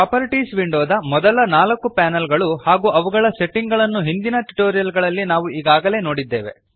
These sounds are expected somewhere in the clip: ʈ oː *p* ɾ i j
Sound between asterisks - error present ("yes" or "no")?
yes